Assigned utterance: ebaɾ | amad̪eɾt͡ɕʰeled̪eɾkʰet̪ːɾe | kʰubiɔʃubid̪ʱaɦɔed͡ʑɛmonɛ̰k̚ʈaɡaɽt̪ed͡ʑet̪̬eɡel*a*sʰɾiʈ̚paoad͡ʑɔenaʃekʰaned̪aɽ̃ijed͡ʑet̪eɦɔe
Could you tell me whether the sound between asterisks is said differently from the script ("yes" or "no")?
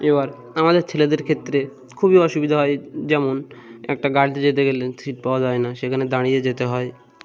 yes